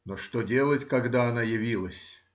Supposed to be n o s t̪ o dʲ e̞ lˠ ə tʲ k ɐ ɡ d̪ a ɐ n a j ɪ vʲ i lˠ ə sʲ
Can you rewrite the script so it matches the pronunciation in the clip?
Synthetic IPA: n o ʂ t̪ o dʲ e̞ lˠ ə tʲ k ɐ ɡ d̪ a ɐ n a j ɪ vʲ i lˠ ə sʲ